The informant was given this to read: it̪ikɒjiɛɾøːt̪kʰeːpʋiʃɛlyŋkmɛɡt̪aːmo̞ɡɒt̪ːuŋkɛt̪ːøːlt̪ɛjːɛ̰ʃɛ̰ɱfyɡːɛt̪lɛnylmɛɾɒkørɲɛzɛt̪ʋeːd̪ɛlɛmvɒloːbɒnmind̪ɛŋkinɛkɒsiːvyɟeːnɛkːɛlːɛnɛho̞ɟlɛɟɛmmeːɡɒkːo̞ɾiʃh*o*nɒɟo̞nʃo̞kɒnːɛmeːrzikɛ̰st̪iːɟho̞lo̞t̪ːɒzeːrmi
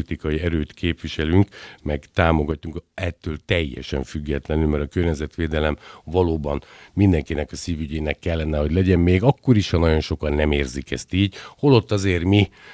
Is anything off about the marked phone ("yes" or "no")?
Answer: yes